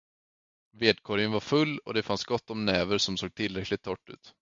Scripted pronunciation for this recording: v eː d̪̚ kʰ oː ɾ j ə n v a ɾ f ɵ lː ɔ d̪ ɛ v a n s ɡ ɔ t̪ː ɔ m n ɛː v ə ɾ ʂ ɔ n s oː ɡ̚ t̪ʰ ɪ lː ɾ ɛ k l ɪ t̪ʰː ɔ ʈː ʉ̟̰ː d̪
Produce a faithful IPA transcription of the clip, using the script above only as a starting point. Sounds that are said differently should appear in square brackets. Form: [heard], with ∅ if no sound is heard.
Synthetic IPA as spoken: v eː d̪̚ kʰ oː ɾ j ə n v a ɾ f ɵ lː ɔ d̪ ɛ [f] a n s ɡ ɔ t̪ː ɔ m n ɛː v ə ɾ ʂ ɔ [m] s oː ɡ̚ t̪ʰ ɪ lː ɾ ɛ k l ɪ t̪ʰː ɔ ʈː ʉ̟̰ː [t̪]